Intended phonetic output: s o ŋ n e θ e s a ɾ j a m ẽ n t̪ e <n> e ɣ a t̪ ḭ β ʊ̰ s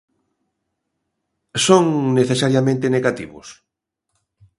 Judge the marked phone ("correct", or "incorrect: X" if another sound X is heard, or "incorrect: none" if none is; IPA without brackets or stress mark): correct